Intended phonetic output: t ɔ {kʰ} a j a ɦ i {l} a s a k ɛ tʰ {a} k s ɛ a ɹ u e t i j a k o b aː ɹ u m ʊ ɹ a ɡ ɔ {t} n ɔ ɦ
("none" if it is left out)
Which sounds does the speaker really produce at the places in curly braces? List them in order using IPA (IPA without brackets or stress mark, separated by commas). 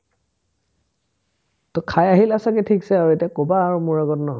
kʰ, l, i, t